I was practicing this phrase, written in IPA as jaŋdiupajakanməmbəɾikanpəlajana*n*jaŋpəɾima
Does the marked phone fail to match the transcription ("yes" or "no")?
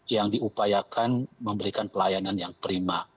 no